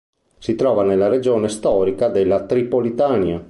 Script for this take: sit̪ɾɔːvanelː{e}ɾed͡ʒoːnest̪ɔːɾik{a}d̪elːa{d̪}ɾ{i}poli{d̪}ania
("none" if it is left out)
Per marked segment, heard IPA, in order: a, a, t̪, i, t̪

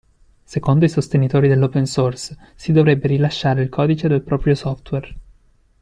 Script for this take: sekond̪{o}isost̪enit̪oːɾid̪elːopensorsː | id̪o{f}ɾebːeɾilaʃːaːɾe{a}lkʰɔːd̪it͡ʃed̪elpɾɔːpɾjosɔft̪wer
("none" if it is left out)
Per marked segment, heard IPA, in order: o, v, i

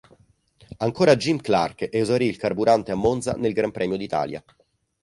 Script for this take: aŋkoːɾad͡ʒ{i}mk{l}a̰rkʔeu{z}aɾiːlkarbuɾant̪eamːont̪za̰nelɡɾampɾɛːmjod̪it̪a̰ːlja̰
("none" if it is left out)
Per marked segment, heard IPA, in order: i, l, z

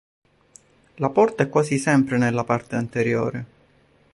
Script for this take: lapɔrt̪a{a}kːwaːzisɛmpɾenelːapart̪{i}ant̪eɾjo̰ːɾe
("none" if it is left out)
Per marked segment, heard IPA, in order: ɛ, e

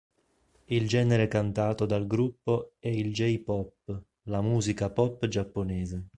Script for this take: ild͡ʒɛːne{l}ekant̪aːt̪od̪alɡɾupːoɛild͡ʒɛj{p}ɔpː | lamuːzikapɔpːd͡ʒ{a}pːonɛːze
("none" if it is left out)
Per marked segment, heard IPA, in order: ɾ, p, a

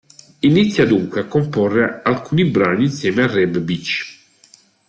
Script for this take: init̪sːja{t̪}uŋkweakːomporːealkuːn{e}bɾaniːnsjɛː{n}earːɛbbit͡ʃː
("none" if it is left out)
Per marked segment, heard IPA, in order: d̪, i, m

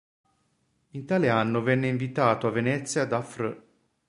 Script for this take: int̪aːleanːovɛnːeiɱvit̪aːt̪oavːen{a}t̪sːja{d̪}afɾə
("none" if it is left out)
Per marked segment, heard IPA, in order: ɛ, d̪

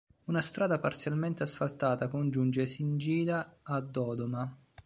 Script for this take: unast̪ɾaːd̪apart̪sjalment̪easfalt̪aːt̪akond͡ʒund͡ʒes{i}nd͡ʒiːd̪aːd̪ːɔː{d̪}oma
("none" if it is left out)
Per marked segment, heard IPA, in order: i, d̪

